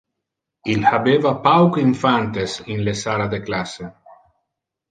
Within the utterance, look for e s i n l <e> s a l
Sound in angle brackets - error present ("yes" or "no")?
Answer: no